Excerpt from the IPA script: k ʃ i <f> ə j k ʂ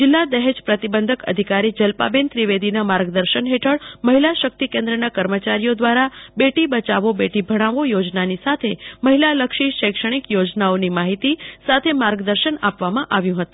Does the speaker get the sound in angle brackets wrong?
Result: yes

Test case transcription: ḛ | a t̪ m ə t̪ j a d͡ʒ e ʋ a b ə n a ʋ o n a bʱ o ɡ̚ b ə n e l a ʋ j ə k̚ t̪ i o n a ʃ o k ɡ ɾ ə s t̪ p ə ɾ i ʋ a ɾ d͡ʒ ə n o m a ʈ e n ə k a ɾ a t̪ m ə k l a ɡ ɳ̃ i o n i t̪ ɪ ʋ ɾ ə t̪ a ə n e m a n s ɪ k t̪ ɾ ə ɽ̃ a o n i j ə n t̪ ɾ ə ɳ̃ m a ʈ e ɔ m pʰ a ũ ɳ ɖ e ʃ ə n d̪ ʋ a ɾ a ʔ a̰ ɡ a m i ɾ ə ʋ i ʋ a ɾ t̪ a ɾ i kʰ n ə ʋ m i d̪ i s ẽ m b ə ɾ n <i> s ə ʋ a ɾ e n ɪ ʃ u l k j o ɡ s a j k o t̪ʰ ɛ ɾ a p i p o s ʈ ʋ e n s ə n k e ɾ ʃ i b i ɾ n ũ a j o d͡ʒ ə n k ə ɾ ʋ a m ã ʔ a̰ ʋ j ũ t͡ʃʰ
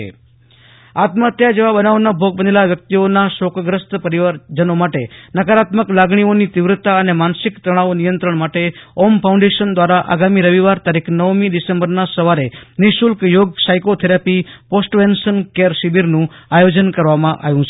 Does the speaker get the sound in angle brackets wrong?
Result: yes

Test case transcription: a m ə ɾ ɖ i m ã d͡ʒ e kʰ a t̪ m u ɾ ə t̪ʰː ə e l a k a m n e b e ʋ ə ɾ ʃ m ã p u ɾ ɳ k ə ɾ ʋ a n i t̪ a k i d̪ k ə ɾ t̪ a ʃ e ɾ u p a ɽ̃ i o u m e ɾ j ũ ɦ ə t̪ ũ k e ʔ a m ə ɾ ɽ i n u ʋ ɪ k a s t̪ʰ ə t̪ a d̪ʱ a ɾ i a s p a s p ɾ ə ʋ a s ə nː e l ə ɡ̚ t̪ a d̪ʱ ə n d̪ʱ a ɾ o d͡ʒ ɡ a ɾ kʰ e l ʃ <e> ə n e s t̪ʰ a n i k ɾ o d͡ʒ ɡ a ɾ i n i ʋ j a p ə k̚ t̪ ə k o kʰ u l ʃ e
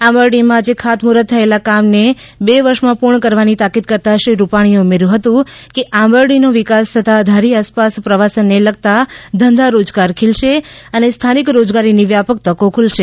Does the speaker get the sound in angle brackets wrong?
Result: no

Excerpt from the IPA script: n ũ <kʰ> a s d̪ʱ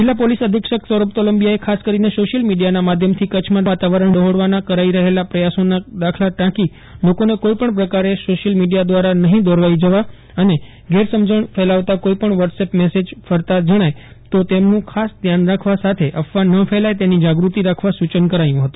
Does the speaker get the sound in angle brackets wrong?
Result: no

